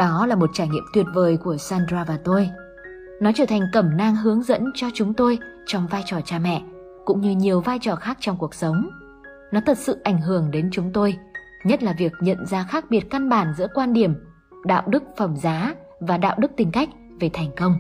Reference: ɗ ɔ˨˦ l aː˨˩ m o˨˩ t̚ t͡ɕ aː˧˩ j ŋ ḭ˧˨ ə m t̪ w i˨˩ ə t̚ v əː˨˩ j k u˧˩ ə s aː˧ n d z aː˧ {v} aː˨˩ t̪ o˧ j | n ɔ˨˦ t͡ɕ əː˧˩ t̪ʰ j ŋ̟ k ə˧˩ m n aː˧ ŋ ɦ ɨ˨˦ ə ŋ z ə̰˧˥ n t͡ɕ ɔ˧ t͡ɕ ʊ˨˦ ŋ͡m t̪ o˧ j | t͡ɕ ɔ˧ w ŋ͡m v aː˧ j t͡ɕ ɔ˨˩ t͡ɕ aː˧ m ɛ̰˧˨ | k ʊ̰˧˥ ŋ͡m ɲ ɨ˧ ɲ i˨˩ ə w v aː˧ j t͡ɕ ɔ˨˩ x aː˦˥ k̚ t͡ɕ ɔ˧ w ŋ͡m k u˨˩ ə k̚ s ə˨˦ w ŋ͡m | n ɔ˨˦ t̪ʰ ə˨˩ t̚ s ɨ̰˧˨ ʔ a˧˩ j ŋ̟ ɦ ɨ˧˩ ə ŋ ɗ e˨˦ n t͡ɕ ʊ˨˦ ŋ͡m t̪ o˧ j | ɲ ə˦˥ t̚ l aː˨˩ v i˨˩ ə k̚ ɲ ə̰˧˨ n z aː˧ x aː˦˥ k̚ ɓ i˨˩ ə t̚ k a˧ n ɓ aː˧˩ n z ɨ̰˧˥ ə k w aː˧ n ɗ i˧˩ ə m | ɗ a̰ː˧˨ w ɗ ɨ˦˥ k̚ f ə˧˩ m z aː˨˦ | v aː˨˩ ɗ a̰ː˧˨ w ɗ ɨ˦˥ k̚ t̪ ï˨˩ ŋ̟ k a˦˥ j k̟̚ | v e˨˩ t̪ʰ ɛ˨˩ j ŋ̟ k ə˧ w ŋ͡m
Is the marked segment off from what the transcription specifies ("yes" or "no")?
no